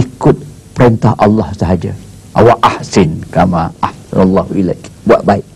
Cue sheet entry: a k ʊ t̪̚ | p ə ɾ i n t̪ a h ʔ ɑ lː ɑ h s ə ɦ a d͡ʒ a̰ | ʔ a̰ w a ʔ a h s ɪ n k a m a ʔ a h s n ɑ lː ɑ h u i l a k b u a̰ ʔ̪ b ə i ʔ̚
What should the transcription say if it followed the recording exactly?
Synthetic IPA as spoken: i k ʊ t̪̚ | p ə ɾ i n t̪ a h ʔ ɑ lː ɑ h s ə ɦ a d͡ʒ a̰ | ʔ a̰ w a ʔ a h s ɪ n k a m a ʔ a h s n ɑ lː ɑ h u i l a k b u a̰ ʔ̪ b a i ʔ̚